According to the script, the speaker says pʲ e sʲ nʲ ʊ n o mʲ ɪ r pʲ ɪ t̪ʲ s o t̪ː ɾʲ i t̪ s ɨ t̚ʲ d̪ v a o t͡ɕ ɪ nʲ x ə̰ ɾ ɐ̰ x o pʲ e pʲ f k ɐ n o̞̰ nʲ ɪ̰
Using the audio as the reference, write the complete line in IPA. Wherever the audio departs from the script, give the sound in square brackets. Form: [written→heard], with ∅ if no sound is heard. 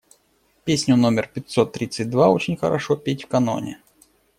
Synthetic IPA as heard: pʲ e sʲ nʲ ʊ n o mʲ ɪ r pʲ ɪ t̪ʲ s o t̪ː ɾʲ i t̪ s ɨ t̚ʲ d̪ v a o t͡ɕ ɪ nʲ x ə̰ ɾ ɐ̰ [x→ʂ] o pʲ e [pʲ→tʲ] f k ɐ n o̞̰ nʲ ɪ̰